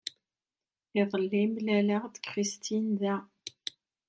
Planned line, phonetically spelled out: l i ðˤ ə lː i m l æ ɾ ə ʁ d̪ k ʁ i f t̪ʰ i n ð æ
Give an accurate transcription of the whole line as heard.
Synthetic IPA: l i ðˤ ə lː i m l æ l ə ʁ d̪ k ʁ i s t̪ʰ i n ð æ